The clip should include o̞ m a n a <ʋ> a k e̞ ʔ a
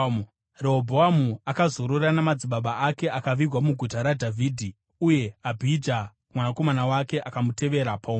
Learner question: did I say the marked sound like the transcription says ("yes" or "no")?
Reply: no